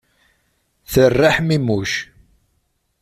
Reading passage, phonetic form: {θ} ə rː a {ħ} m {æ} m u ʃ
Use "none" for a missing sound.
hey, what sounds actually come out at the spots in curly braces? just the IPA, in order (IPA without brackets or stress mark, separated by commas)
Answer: θ, ħ, i